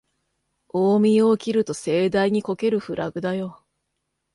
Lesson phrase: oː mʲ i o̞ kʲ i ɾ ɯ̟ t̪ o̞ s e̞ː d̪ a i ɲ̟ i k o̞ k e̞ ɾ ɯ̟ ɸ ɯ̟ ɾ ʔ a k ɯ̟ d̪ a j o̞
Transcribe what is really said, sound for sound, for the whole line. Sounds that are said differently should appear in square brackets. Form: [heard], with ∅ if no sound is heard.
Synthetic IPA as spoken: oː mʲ i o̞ kʲ i ɾ ɯ̟ t̪ o̞ s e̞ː d̪ a i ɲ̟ i k o̞ k e̞ ɾ ɯ̟ ɸ ɯ̟ ɾ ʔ a [ɡ] ɯ̟ d̪ a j o̞

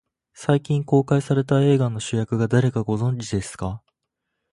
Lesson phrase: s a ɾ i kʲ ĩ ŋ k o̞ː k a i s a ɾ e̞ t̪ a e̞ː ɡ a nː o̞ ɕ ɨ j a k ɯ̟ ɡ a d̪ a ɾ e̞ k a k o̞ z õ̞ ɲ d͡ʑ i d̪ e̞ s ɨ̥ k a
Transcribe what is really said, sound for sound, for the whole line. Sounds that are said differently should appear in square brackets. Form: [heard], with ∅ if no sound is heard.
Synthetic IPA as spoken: s a [∅] i kʲ ĩ ŋ k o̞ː k a i s a ɾ e̞ t̪ a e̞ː ɡ a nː o̞ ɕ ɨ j a k ɯ̟ ɡ a d̪ a ɾ e̞ k a [ɡ] o̞ z õ̞ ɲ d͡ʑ i d̪ e̞ s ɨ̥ k a

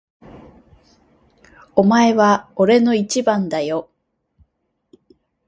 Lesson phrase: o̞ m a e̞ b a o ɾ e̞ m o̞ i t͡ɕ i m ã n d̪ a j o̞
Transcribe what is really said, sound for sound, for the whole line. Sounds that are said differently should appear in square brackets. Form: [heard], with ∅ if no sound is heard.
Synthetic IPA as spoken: o̞ m a e̞ [β] a o ɾ e̞ [n] o̞ i t͡ɕ i [b] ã n d̪ a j o̞

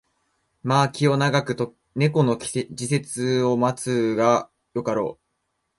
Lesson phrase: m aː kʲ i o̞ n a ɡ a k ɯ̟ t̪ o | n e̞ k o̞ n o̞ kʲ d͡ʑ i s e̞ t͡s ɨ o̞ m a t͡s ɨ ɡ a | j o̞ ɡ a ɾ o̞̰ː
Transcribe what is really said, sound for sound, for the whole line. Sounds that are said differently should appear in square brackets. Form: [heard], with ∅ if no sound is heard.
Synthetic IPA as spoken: m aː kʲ i o̞ n a ɡ a k ɯ̟ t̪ o | n e̞ k o̞ n o̞ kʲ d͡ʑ i s e̞ t͡s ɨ o̞ m a t͡s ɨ ɡ a | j o̞ [k] a ɾ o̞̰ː

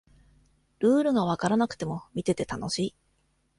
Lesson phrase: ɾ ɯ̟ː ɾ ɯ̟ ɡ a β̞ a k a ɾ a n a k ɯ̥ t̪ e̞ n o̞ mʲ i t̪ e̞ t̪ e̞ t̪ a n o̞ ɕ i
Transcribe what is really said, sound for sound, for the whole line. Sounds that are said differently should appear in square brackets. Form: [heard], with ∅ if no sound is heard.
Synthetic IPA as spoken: ɾ ɯ̟ː ɾ ɯ̟ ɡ a β̞ a k a ɾ a n a k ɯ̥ t̪ e̞ [m] o̞ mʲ i t̪ e̞ t̪ e̞ t̪ a n o̞ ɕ [iː]

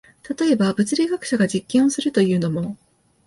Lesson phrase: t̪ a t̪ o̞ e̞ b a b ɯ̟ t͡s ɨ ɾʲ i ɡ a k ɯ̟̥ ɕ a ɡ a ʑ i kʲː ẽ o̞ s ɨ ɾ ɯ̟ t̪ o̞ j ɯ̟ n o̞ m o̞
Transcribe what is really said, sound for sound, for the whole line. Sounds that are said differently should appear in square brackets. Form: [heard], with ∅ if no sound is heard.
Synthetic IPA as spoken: t̪ a t̪ o̞ e̞ b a b ɯ̟ t͡s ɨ ɾʲ i ɡ a k ɯ̟̥ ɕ a ɡ a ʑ i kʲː ẽ o̞ s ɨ ɾ ɯ̟ t̪ o̞ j [ɯ̟ː] n o̞ m o̞

